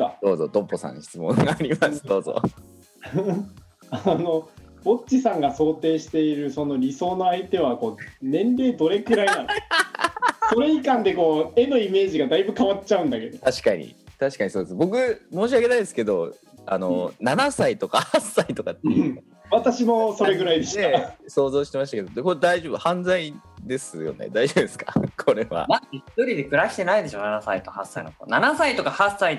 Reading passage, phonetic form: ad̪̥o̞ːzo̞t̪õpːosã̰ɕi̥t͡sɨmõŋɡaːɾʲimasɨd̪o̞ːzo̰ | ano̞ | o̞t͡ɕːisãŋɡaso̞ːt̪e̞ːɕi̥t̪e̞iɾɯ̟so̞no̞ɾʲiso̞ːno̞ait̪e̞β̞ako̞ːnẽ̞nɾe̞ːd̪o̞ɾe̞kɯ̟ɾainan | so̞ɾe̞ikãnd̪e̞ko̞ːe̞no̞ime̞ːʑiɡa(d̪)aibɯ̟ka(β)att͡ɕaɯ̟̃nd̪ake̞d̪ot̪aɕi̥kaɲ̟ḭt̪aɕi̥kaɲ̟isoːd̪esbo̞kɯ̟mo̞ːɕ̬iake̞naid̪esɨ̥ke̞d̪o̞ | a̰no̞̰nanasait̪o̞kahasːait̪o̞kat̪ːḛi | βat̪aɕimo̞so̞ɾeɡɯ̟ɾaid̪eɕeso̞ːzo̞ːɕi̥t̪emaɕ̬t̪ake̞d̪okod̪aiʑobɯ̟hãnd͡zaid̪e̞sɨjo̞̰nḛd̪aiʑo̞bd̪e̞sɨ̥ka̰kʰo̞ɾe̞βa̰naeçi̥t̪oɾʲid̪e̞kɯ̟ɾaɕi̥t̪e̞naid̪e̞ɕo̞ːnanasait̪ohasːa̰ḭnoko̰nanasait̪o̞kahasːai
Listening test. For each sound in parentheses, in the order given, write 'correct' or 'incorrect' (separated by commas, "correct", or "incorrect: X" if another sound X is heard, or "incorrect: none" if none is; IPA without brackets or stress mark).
correct, correct